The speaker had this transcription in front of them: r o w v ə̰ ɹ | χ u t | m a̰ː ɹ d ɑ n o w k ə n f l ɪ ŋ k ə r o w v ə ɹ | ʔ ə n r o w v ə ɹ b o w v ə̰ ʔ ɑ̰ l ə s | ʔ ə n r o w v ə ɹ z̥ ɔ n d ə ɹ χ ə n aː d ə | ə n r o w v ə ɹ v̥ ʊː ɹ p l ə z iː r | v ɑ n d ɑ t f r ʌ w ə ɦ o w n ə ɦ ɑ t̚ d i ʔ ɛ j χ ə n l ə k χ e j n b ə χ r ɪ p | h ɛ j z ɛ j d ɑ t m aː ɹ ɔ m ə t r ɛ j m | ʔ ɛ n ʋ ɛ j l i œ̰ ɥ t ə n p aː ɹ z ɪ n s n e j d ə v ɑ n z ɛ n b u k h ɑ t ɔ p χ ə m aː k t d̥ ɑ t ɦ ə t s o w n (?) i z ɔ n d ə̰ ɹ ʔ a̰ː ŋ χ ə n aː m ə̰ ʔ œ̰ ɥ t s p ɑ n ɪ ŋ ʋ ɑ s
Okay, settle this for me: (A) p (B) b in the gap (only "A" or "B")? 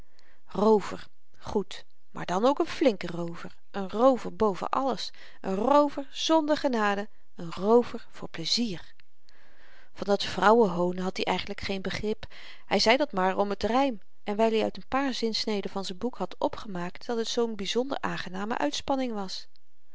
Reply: B